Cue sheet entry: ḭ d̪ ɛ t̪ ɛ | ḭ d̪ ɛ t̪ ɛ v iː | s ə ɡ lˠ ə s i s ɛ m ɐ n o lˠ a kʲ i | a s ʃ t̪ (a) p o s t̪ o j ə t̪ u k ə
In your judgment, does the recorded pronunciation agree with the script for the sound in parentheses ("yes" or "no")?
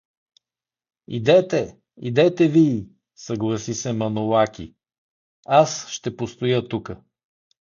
no